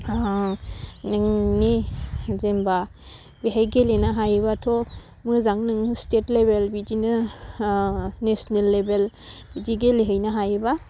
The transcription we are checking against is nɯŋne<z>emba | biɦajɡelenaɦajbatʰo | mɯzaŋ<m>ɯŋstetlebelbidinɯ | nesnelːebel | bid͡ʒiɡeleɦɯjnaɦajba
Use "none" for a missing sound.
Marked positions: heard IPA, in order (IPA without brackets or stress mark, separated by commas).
z, n